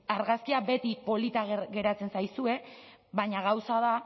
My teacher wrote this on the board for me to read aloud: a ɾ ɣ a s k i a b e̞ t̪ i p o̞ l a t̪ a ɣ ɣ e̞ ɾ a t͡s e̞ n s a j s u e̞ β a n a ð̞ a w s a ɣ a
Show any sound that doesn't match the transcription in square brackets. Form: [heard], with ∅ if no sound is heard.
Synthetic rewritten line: a ɾ ɣ a s k i a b e̞ t̪ i p o̞ l [i] t̪ a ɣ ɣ e̞ ɾ a t͡s e̞ n s a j s u e̞ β a [ɲ] a [ɣ̞] a w s a [ð] a